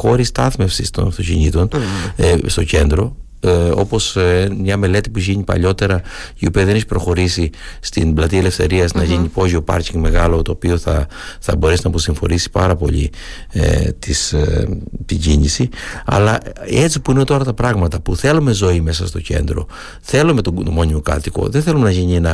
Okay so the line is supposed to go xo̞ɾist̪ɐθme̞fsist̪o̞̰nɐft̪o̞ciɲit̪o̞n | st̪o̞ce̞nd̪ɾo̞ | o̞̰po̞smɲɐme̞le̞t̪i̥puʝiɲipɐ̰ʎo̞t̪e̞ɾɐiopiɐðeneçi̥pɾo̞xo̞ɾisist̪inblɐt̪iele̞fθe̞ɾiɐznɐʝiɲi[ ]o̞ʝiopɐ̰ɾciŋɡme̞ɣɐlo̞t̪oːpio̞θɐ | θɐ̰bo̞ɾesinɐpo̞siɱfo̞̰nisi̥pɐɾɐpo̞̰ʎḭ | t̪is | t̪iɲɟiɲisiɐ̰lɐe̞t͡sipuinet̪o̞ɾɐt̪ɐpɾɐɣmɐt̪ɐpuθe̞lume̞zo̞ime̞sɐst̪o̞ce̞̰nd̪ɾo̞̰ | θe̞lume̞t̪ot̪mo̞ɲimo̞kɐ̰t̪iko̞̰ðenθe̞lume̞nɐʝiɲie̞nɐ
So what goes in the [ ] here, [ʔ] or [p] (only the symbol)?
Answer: p